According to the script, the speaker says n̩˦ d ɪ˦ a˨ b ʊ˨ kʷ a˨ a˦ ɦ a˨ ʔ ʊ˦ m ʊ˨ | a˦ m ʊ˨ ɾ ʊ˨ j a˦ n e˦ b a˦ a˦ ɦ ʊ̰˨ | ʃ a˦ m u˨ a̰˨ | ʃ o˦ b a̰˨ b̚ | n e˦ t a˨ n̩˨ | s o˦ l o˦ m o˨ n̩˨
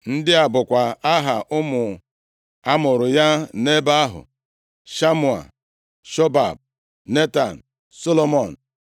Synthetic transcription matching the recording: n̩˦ d ɪ˦ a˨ b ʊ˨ kʷ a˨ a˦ ɦ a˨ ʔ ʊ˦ m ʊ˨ | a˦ m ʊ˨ ɾ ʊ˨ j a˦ n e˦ b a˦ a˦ ɦ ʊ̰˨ | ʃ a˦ m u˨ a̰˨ | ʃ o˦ b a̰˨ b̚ | n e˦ t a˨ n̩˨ | s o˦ l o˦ m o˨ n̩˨